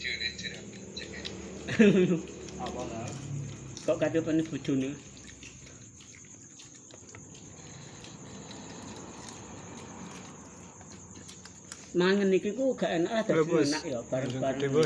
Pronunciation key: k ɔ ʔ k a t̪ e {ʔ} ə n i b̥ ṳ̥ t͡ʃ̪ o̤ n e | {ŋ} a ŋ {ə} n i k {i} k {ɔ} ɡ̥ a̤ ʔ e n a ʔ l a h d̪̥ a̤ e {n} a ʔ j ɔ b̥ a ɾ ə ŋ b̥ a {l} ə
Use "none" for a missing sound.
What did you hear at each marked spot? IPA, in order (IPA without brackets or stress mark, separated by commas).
p, m, ə, i, u, n, ɾ